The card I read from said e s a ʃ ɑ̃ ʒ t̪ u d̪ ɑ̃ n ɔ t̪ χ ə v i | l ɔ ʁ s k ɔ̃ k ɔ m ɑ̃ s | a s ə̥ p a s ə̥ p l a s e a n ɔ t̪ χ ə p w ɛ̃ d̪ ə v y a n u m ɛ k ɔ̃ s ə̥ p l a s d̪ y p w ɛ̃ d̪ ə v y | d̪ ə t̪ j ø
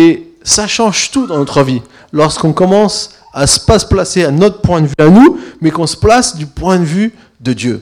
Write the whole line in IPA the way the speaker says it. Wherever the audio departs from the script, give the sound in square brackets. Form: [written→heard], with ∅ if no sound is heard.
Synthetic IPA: e s a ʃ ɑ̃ ʒ t̪ u d̪ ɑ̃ n ɔ t̪ χ ə v i | l ɔ ʁ s k ɔ̃ k ɔ m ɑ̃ s | a s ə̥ p a s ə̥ p l a s e a n ɔ t̪ χ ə p w ɛ̃ d̪ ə v y a n u m ɛ k ɔ̃ s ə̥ p l a s d̪ y p w ɛ̃ d̪ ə v y | d̪ ə [t̪→d̪] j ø